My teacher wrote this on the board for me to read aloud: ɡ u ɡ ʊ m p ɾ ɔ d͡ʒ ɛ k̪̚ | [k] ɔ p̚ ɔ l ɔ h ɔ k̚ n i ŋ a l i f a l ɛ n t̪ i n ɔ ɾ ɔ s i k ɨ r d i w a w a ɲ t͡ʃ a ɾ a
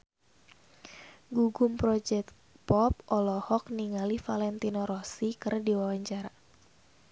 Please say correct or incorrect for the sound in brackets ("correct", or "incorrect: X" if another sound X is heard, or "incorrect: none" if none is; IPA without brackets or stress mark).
incorrect: p